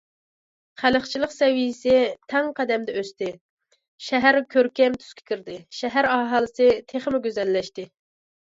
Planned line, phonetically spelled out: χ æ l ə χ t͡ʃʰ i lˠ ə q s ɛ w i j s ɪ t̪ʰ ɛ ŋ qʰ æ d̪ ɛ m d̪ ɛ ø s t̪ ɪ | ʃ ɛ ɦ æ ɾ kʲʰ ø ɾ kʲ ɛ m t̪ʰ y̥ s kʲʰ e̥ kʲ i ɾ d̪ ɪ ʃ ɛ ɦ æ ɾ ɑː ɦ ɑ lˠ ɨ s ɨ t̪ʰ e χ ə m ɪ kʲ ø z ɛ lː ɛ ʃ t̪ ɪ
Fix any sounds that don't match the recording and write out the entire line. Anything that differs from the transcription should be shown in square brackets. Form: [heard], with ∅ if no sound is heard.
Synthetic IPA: χ æ l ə χ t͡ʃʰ i lˠ ə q s ɛ w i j s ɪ t̪ʰ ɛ ŋ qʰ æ d̪ ɛ m d̪ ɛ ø s t̪ ɪ | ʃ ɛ ɦ æ ɾ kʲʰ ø ɾ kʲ ɛ m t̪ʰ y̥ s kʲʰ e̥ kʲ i ɾ d̪ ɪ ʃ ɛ ɦ æ ɾ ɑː ɦ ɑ lˠ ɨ s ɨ t̪ʰ e χ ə m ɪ [ɡʲ] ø z ɛ lː ɛ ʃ t̪ ɪ